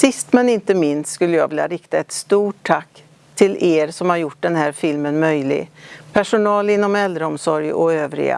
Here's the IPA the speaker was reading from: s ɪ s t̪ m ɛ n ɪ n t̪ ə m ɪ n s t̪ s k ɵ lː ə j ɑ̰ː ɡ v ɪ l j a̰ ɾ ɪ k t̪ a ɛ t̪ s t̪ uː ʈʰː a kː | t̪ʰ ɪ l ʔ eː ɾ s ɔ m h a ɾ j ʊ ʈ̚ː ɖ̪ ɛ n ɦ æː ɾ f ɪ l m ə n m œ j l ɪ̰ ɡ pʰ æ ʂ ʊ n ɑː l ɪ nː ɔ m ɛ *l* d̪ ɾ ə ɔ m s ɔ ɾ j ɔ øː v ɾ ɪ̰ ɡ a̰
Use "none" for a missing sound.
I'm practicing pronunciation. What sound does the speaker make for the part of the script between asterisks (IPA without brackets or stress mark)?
l